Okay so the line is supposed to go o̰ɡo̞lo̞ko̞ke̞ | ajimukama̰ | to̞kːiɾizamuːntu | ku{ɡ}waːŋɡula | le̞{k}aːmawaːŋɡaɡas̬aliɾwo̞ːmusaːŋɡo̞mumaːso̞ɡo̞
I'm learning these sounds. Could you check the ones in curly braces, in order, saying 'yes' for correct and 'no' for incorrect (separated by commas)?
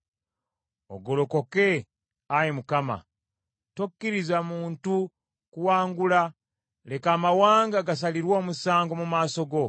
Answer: no, yes